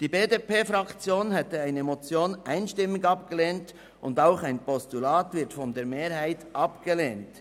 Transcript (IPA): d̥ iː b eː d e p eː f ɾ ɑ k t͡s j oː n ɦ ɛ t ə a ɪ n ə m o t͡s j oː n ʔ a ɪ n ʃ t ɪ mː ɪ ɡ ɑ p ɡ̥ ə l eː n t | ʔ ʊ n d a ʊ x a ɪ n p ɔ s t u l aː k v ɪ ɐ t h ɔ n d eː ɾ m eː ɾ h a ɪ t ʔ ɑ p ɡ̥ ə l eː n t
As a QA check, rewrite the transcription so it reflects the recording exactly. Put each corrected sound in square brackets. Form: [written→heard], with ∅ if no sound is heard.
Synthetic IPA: d̥ iː b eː d e p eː f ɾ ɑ k t͡s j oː n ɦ ɛ t ə a ɪ n ə m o t͡s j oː n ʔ a ɪ n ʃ t ɪ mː ɪ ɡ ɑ p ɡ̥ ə l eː n t | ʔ ʊ n d a ʊ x a ɪ n p ɔ s t u l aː [k→t] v ɪ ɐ t [h→f] ɔ n d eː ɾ m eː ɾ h a ɪ t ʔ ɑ p ɡ̥ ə l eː n t